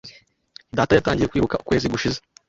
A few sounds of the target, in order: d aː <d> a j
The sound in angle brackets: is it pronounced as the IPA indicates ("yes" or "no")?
no